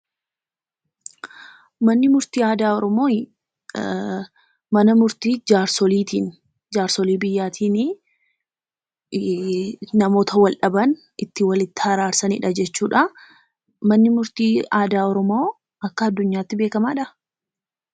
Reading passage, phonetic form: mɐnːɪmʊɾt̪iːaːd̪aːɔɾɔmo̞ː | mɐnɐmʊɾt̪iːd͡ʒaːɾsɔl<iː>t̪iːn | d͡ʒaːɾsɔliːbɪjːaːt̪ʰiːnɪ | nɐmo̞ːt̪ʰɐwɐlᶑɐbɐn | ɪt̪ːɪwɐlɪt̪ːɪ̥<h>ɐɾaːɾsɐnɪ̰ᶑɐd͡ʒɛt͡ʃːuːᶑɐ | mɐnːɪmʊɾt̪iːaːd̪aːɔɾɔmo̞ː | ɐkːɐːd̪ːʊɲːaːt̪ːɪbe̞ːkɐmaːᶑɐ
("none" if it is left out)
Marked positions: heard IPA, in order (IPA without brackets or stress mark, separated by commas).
iː, h